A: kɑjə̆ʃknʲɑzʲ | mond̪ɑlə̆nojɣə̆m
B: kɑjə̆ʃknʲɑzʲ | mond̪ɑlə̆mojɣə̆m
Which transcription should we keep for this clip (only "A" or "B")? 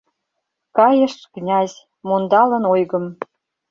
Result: A